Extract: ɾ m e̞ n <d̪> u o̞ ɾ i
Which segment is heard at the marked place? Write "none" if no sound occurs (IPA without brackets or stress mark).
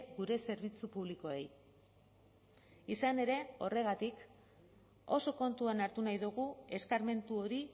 t̪